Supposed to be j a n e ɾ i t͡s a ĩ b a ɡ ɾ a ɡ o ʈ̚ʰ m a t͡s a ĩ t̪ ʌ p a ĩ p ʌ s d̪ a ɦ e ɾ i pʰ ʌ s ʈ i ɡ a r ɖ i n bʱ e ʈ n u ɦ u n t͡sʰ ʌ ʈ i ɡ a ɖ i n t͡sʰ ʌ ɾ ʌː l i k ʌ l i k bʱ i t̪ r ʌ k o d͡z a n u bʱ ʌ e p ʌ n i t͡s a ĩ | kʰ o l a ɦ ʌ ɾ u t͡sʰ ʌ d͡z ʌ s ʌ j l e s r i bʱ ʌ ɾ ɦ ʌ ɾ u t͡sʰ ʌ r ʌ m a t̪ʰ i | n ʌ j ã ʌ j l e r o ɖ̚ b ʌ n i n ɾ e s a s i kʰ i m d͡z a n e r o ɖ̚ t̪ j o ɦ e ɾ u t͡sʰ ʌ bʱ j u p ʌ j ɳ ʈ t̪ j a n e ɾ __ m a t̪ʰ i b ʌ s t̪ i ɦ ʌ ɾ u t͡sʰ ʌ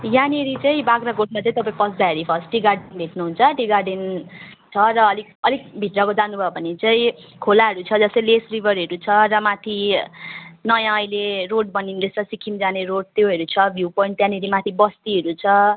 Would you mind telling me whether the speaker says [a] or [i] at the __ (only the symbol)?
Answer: i